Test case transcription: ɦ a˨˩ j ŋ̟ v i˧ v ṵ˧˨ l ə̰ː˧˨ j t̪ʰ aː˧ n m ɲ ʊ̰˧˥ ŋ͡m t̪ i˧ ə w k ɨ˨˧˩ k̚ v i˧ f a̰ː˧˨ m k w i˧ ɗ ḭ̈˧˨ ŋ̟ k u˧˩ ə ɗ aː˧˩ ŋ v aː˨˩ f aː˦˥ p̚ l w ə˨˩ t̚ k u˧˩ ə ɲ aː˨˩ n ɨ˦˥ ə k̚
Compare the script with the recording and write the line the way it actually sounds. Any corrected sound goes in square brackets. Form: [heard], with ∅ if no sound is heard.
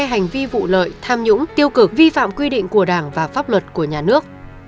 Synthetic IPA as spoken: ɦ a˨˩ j ŋ̟ v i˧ v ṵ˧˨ l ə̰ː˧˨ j t̪ʰ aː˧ [∅] m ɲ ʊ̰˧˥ ŋ͡m t̪ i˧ ə w k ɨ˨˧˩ k̚ v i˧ f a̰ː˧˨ m k w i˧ ɗ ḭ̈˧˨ ŋ̟ k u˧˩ ə ɗ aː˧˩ ŋ v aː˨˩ f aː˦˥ p̚ l w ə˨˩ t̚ k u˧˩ ə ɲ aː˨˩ n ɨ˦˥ ə k̚

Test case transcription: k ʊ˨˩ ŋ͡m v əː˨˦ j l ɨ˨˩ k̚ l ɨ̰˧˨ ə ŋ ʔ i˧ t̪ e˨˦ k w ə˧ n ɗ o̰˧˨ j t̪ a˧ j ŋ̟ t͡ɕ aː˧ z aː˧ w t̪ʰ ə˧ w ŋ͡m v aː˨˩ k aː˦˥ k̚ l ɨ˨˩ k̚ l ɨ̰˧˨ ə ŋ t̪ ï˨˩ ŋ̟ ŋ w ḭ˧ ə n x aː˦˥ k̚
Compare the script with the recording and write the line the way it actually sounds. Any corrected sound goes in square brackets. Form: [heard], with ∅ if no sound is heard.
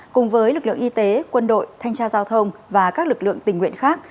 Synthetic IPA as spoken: k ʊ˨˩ ŋ͡m v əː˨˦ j l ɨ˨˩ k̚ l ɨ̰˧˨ ə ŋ ʔ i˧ t̪ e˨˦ k w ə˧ n ɗ o̰˧˨ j [t̪ʰ] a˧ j ŋ̟ t͡ɕ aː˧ z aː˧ w t̪ʰ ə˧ w ŋ͡m v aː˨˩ k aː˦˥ k̚ l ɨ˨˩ k̚ l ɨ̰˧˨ ə ŋ t̪ ï˨˩ ŋ̟ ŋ w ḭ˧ ə n x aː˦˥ k̚

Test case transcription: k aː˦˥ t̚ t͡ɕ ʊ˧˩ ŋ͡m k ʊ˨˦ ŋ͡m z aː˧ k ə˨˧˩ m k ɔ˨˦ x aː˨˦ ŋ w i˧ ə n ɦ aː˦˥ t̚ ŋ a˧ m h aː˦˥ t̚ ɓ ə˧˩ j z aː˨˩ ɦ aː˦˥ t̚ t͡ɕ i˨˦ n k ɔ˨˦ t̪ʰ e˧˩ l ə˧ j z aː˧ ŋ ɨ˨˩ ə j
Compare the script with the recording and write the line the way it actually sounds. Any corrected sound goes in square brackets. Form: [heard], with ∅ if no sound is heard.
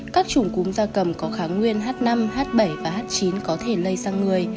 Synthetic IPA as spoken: k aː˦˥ [k̚] t͡ɕ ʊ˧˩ ŋ͡m k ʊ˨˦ ŋ͡m z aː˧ k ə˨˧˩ m k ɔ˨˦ x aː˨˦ ŋ w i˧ ə n ɦ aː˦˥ t̚ [n] a˧ m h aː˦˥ t̚ ɓ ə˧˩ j [v] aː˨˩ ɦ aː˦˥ t̚ t͡ɕ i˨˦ n k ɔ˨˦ t̪ʰ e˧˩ l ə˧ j z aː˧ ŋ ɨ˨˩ ə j

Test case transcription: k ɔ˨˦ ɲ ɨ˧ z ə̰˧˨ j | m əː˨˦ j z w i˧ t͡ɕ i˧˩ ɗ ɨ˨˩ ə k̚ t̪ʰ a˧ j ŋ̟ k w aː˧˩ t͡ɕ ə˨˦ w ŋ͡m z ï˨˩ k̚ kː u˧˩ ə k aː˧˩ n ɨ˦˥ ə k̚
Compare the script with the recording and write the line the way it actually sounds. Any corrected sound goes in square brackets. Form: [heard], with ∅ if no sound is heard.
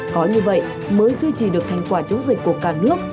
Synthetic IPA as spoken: k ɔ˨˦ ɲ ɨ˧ [v] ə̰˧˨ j | m əː˨˦ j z w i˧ t͡ɕ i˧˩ ɗ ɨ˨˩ ə k̚ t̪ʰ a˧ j ŋ̟ k w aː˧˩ t͡ɕ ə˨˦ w ŋ͡m z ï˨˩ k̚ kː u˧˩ ə k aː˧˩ n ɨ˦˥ ə k̚

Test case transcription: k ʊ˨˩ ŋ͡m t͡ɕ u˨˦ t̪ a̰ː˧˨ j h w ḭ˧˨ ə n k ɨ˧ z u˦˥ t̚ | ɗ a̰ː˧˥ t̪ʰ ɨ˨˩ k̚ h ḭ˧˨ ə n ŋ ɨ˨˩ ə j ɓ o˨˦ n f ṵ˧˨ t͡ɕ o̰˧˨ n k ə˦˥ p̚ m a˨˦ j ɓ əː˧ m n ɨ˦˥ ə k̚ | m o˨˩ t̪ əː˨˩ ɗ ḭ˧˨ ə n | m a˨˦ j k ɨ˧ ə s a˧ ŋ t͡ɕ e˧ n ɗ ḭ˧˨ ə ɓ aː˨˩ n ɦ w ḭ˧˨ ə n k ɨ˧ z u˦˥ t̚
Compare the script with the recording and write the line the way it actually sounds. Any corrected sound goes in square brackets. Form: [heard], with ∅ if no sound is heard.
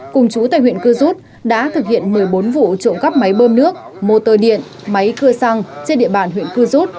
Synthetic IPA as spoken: k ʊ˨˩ ŋ͡m t͡ɕ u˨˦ t̪ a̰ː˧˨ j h w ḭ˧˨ ə n k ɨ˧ z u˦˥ t̚ | ɗ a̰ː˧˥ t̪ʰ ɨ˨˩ k̚ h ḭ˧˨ ə n [m] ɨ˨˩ ə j ɓ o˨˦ n [v] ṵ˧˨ t͡ɕ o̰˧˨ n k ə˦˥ p̚ m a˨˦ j ɓ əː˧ m n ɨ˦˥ ə k̚ | m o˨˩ t̪ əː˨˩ ɗ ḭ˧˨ ə n | m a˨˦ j k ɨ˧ ə s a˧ ŋ t͡ɕ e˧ n ɗ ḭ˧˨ ə ɓ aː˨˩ n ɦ w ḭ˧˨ ə n k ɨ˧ z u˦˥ t̚

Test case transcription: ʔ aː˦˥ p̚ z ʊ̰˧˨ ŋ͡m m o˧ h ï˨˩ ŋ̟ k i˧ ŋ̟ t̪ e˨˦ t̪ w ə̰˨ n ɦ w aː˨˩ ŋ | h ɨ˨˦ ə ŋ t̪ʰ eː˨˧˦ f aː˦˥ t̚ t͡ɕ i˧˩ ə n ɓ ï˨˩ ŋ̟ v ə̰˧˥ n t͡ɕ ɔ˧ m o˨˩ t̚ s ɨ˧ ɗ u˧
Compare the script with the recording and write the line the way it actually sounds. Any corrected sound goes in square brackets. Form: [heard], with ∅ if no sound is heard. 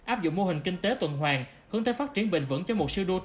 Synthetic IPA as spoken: ʔ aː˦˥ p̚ z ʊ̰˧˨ ŋ͡m m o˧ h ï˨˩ ŋ̟ k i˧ ŋ̟ t̪ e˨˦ t̪ w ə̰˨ n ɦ w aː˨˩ ŋ | h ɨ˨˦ ə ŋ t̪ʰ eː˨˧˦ f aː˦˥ t̚ t͡ɕ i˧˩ ə n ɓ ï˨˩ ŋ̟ v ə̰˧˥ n t͡ɕ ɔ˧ m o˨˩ t̚ s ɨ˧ ɗ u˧

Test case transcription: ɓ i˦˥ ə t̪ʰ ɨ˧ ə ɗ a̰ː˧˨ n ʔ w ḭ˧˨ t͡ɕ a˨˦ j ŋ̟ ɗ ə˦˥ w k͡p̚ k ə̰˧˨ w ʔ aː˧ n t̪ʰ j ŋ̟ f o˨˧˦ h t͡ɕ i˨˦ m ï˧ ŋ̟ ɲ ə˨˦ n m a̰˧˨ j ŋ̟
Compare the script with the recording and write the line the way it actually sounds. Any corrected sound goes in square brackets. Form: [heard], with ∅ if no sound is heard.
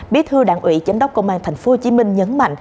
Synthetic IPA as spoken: ɓ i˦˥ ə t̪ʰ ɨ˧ ə ɗ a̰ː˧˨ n ʔ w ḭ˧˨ t͡ɕ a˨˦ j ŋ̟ ɗ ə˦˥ w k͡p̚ k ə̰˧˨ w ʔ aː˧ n t̪ʰ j ŋ̟ f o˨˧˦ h t͡ɕ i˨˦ m ï˧ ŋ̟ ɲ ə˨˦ n m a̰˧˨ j ŋ̟

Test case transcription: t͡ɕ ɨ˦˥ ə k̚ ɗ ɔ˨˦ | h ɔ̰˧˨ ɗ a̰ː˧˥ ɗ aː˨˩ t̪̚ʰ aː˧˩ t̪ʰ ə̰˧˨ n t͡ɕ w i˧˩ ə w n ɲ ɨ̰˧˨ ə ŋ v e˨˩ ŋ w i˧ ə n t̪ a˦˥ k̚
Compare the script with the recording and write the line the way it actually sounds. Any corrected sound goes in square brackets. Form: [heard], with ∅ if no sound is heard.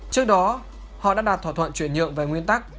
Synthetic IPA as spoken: t͡ɕ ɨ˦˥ ə k̚ ɗ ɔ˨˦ | h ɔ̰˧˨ ɗ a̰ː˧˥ ɗ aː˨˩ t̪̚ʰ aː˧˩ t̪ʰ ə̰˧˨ n t͡ɕ w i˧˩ ə [∅] n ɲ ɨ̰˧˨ ə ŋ v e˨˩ ŋ w i˧ ə n t̪ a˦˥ k̚

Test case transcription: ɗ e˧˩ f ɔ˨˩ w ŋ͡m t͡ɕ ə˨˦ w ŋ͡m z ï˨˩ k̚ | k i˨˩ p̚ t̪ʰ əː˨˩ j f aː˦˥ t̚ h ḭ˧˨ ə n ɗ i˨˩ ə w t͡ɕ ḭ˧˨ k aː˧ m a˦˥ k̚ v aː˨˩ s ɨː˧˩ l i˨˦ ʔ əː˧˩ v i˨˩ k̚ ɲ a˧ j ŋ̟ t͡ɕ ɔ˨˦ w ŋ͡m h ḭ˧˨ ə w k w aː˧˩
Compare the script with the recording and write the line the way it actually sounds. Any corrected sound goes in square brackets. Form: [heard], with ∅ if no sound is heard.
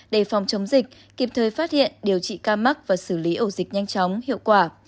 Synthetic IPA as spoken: ɗ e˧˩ f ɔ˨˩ w ŋ͡m t͡ɕ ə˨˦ w ŋ͡m z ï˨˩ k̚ | k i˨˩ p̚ t̪ʰ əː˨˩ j f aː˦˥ t̚ h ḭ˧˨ ə n ɗ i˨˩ ə w t͡ɕ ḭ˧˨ k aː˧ m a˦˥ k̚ v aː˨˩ s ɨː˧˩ l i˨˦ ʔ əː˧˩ [z] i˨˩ k̚ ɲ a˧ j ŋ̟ t͡ɕ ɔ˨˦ w ŋ͡m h ḭ˧˨ ə w k w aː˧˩

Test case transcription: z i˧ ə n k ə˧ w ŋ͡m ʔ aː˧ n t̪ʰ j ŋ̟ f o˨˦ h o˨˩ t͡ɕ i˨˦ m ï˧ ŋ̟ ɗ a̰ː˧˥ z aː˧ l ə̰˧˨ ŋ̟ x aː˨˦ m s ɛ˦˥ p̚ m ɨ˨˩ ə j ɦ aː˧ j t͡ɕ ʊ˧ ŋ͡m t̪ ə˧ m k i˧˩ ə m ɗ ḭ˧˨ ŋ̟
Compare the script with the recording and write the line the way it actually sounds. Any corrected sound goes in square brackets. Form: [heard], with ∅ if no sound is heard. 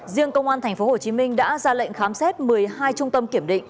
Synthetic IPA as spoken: z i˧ ə [ŋ] k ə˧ w ŋ͡m ʔ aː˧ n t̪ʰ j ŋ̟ f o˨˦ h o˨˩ t͡ɕ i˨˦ m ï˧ ŋ̟ ɗ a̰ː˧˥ z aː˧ l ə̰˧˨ ŋ̟ x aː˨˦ m s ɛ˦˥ [t̚] m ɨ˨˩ ə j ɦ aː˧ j t͡ɕ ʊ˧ ŋ͡m t̪ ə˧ m k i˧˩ ə m ɗ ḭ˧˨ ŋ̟

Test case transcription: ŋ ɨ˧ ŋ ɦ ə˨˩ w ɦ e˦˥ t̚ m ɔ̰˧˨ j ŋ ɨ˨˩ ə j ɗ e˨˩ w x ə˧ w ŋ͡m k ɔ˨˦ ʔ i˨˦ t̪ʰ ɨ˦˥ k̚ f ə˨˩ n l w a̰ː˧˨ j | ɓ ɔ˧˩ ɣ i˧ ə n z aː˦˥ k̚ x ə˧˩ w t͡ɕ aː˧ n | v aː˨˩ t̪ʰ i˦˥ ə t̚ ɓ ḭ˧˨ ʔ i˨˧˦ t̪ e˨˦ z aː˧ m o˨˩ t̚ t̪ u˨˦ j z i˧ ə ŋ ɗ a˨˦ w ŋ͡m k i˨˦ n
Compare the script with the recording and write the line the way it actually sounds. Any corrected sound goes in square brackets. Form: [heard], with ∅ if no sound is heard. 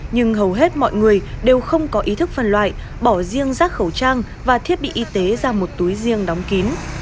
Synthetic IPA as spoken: [ɲ] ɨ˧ ŋ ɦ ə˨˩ w ɦ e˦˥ t̚ m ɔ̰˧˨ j ŋ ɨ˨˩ ə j ɗ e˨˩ w x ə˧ w ŋ͡m k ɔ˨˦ ʔ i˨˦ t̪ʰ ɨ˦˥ k̚ f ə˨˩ n l w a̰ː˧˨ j | ɓ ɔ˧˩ [z] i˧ ə [ŋ] z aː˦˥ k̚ x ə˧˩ w t͡ɕ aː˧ [ŋ] | v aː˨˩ t̪ʰ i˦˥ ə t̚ ɓ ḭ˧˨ ʔ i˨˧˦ t̪ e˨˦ z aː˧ m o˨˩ t̚ t̪ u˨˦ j z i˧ ə ŋ ɗ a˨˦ w ŋ͡m k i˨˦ n

